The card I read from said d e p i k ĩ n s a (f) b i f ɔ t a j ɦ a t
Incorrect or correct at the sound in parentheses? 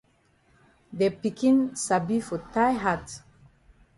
incorrect: none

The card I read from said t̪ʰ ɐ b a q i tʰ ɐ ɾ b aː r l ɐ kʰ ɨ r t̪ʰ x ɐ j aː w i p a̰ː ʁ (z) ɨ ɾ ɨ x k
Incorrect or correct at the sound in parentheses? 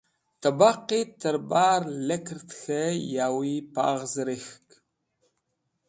correct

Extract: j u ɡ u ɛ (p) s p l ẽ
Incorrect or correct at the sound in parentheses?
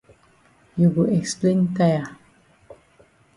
incorrect: k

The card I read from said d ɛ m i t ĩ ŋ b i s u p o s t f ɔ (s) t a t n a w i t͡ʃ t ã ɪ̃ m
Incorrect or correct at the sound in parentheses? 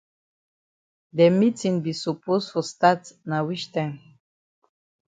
correct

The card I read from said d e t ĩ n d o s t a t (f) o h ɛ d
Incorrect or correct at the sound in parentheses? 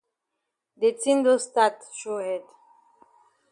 incorrect: ʃ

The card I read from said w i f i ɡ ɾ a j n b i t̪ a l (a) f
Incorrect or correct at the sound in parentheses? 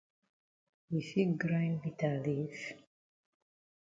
incorrect: i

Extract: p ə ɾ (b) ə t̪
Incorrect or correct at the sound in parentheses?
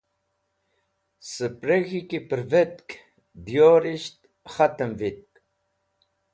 incorrect: v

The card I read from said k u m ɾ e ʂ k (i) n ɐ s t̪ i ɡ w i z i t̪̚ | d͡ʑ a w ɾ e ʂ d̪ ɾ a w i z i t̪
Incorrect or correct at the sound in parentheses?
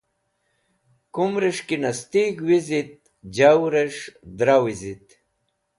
correct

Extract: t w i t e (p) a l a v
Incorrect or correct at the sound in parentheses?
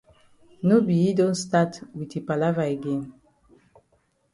correct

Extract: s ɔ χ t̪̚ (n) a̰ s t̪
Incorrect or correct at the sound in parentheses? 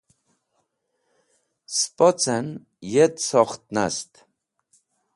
correct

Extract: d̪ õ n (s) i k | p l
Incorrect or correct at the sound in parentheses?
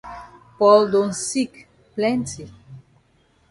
correct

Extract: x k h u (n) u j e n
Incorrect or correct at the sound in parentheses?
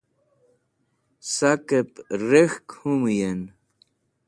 incorrect: m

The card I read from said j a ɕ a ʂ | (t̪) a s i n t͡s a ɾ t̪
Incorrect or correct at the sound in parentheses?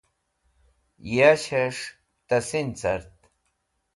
correct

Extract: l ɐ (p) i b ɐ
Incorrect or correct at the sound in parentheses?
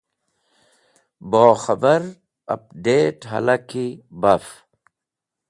incorrect: k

